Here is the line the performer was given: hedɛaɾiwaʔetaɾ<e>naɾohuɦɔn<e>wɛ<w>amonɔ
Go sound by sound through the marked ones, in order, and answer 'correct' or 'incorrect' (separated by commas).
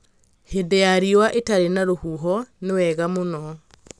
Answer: correct, correct, incorrect